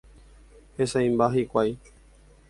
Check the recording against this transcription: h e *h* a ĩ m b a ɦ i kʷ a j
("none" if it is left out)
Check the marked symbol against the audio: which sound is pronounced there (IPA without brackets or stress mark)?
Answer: s